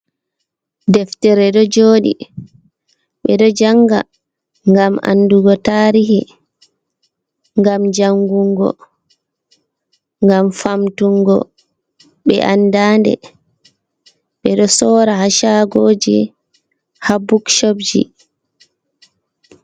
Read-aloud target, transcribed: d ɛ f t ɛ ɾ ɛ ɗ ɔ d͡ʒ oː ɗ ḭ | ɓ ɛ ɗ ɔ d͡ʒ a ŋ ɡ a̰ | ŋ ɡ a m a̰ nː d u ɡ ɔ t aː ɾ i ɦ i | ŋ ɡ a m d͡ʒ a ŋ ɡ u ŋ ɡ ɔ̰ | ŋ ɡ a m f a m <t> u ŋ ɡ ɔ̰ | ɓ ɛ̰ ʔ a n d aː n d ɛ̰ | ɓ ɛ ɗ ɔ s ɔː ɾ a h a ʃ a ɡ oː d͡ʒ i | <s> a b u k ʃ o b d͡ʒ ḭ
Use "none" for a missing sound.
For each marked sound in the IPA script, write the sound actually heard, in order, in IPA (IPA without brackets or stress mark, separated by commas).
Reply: t, h